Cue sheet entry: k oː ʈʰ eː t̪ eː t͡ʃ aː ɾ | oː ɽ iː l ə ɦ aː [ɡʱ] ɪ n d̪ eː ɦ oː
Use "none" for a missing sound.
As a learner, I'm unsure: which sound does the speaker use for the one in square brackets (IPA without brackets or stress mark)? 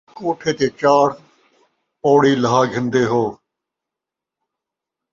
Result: ɡʱ